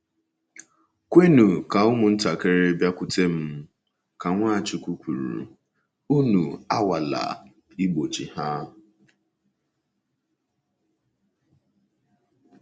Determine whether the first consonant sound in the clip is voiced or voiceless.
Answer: voiceless